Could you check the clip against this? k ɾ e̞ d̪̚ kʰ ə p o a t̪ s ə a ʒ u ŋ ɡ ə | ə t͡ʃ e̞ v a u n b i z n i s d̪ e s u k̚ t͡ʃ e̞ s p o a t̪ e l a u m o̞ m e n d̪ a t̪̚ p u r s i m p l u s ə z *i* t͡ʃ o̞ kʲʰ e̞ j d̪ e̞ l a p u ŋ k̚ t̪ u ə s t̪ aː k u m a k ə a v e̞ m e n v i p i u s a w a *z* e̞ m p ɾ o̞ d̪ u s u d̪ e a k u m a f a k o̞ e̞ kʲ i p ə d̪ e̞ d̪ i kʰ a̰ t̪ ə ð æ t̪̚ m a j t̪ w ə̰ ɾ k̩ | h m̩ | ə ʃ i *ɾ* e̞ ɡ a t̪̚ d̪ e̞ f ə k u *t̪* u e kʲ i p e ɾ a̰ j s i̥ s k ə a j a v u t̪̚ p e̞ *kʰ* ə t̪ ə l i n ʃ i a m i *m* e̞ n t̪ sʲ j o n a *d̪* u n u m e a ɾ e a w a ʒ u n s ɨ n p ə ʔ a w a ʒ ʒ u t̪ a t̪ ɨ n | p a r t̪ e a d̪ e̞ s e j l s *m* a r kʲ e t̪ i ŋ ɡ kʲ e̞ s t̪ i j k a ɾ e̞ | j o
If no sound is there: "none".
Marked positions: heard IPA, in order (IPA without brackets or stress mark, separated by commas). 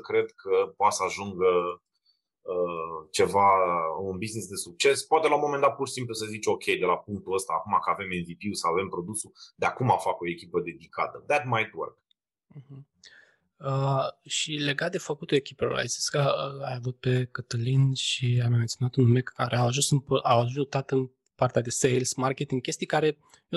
i, v, l, t̪, k, m, t̪, m